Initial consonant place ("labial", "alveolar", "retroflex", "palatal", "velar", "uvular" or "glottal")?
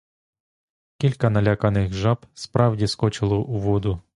velar